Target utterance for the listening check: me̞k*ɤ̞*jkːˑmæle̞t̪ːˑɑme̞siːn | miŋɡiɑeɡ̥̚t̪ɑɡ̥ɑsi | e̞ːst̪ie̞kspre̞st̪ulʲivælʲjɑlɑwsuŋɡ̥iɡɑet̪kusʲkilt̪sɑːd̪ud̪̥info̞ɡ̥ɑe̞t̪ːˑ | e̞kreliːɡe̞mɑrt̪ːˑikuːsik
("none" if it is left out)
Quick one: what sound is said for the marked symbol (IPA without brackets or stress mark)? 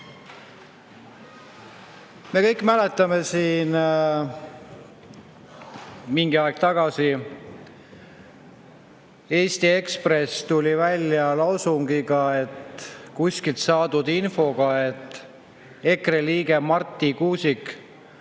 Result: ɤ̞